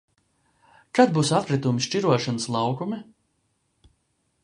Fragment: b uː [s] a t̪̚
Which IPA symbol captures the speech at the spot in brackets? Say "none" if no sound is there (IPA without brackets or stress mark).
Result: s